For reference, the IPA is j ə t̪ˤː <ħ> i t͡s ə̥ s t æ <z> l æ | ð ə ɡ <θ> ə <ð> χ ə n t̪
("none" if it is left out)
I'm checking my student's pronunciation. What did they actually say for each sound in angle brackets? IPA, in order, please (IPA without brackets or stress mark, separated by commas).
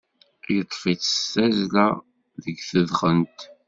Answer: f, z, θ, ð